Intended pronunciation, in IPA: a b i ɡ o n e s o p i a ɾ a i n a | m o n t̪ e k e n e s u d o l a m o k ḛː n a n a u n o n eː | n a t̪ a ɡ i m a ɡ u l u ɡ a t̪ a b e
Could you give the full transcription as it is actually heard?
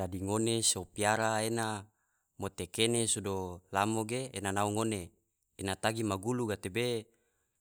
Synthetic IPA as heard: a d i ŋ o n e s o p i a ɾ a e n a | m o t̪ e k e n e s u d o l a m o ɡ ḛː n a n a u ŋ o n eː | n a t̪ a ɡ i m a ɡ u l u ɡ a t̪ e b e